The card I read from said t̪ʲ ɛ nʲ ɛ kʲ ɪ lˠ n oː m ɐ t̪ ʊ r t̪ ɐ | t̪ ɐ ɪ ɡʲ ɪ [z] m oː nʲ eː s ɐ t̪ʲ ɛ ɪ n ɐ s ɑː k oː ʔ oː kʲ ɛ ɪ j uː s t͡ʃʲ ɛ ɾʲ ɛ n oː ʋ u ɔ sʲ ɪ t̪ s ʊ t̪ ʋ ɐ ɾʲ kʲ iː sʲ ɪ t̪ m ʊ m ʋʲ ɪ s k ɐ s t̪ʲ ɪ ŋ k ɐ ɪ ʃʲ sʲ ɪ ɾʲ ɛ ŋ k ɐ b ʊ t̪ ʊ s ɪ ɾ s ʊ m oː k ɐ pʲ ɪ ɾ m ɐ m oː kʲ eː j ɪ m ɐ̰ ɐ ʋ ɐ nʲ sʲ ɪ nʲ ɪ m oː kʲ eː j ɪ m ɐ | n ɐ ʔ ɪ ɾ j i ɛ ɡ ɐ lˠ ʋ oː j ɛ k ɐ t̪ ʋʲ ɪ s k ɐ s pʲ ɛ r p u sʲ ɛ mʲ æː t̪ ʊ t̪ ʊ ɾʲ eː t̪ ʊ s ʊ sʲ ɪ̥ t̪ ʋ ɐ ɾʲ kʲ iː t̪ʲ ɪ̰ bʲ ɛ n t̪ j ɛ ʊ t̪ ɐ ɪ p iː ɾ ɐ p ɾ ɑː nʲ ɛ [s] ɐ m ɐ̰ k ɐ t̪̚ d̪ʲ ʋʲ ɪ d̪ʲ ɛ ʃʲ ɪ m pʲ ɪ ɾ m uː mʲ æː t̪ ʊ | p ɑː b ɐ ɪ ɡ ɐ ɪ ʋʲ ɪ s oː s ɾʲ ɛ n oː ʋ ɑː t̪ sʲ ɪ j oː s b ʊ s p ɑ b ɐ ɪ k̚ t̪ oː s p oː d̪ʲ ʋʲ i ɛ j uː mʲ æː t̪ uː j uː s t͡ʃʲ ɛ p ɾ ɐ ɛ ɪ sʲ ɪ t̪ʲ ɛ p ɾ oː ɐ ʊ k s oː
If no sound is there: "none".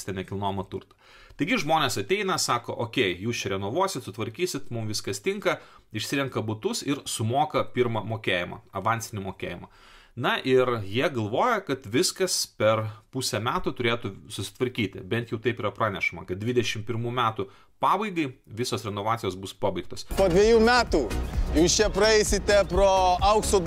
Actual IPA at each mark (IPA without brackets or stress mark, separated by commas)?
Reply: ʒ, ʃ